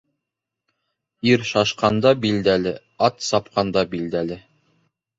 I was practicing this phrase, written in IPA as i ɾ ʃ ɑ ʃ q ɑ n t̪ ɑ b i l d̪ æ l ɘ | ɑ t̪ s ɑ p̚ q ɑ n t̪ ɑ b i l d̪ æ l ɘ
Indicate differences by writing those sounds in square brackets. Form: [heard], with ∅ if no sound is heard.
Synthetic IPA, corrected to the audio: i ɾ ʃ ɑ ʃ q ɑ n [d̪] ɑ b i l d̪ æ l ɘ | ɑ t̪ s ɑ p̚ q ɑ n [d̪] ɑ b i l d̪ æ l ɘ